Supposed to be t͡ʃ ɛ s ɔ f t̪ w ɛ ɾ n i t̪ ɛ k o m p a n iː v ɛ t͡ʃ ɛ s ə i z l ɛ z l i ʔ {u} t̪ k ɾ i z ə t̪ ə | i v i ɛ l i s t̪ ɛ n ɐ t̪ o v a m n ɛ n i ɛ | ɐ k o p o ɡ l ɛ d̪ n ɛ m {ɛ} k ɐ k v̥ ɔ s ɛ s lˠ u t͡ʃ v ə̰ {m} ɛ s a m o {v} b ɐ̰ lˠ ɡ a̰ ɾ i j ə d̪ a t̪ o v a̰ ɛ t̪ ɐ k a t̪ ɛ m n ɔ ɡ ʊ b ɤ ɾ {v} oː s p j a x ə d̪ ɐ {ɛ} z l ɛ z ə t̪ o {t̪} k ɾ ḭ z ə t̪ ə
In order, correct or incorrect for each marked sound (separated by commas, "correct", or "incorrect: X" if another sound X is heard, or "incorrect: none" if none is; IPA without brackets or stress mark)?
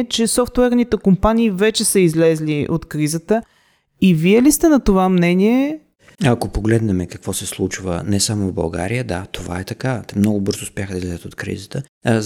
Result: incorrect: o, correct, incorrect: n, correct, incorrect: z, incorrect: i, correct